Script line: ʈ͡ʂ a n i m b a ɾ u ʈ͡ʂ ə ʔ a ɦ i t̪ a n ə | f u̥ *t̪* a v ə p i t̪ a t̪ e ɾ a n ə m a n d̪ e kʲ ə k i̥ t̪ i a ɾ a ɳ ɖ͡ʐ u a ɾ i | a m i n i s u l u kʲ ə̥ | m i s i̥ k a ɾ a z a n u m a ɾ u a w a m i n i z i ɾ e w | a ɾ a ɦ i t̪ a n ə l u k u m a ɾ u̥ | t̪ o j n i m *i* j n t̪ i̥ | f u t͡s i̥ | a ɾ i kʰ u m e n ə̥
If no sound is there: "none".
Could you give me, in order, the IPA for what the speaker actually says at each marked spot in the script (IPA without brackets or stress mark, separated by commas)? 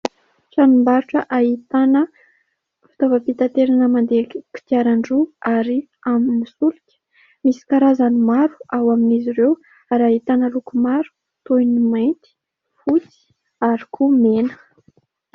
t̪, a